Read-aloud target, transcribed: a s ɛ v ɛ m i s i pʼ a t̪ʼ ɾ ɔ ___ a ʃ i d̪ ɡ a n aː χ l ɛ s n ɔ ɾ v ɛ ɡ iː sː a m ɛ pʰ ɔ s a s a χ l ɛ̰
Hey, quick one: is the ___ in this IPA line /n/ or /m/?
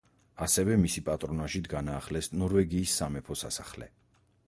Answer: n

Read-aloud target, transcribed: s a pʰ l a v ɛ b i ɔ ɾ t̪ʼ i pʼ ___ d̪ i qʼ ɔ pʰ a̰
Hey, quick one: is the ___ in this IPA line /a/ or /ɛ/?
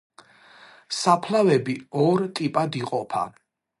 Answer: a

